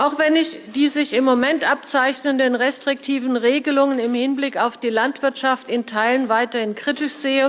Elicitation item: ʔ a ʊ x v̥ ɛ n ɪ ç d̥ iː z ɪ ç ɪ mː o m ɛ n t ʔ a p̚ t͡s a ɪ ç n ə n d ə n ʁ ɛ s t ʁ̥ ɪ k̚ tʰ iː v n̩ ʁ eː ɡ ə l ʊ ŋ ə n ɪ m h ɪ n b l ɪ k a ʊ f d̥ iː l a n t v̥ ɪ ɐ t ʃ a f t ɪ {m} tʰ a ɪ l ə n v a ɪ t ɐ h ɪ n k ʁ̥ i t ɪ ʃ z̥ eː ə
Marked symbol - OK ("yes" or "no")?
no